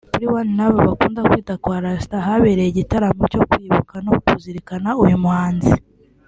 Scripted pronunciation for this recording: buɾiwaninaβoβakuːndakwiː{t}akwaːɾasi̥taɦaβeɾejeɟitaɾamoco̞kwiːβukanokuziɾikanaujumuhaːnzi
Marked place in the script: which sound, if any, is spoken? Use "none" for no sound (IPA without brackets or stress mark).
t